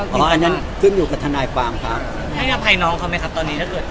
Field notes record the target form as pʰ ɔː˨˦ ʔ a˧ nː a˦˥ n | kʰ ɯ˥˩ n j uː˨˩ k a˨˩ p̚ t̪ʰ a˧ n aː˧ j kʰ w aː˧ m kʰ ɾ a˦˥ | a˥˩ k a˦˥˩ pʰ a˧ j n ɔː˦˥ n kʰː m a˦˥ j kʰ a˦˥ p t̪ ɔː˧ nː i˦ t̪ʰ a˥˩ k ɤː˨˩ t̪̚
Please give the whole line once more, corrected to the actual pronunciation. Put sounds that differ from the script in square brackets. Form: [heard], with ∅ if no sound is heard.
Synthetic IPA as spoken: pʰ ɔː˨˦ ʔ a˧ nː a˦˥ n | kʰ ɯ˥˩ n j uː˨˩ k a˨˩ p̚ t̪ʰ a˧ n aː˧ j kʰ w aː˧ m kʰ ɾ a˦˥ | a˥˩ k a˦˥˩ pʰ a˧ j n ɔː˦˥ [ŋ] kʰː m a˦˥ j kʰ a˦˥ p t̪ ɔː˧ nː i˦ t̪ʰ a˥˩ k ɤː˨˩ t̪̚